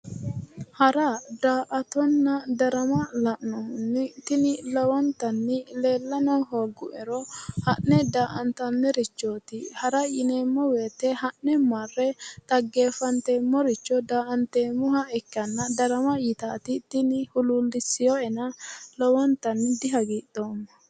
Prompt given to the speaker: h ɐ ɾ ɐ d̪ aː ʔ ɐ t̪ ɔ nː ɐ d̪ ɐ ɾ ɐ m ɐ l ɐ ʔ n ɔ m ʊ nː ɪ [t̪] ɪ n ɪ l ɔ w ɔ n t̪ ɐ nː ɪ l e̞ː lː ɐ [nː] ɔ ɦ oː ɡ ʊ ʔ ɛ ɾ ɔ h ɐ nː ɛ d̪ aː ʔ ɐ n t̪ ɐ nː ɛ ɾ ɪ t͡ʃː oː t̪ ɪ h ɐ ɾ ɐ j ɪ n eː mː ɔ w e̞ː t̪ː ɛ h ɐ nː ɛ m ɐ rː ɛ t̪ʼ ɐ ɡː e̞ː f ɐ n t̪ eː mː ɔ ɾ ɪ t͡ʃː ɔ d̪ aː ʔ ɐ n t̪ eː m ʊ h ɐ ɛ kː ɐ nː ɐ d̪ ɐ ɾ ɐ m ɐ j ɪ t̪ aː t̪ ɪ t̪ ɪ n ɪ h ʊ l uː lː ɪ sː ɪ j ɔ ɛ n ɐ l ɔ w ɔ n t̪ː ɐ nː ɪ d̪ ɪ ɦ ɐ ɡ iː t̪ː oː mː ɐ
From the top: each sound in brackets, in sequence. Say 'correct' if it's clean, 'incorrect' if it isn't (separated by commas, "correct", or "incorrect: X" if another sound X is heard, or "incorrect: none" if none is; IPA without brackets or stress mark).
correct, incorrect: n